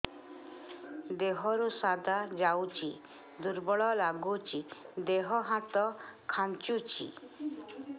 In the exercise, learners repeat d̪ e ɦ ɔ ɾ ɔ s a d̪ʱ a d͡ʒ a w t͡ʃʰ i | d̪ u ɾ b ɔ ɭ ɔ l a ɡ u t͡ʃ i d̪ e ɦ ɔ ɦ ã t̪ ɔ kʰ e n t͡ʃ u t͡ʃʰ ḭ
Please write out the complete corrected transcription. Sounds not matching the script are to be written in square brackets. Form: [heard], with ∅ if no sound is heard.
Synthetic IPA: d̪ e ɦ ɔ ɾ [u] s a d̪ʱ a d͡ʒ a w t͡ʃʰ i | d̪ u ɾ b ɔ ɭ ɔ l a ɡ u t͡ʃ i d̪ e ɦ ɔ ɦ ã t̪ ɔ kʰ [a] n t͡ʃ u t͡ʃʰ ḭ